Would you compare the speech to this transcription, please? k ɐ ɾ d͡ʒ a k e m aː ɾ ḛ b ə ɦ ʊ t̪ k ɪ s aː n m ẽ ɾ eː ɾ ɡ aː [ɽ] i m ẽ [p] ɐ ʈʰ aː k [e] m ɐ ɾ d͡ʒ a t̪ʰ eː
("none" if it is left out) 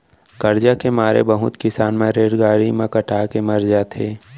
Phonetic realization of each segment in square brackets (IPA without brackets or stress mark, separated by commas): ɾ, k, e